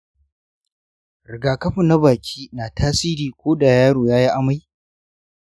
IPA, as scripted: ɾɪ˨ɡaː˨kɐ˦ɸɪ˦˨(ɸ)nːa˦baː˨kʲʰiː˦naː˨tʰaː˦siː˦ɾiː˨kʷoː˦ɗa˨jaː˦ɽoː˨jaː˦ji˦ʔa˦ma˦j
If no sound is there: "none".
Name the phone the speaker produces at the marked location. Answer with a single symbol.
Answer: none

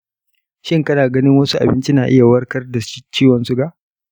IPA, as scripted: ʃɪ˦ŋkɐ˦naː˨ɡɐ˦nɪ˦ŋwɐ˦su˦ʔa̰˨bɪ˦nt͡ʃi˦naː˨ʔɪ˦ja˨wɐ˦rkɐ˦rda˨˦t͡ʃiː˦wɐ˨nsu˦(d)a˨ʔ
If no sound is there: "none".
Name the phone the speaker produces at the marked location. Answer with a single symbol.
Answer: ɡ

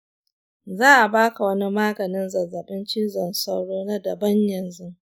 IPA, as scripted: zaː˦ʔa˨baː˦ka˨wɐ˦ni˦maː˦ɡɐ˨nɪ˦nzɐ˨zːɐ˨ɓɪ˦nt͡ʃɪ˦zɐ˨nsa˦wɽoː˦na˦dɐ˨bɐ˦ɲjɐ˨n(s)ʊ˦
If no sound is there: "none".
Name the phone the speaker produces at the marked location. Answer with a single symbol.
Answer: z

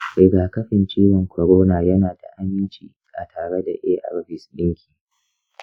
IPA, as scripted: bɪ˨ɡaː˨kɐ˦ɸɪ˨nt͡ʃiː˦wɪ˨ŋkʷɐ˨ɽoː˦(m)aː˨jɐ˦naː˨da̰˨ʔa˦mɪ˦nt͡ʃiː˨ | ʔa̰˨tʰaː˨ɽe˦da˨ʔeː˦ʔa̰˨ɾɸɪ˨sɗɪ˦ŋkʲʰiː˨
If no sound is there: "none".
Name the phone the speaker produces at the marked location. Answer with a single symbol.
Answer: n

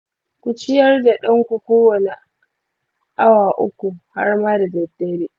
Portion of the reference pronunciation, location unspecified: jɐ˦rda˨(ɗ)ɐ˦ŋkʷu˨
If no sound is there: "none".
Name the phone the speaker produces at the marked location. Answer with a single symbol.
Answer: ɗ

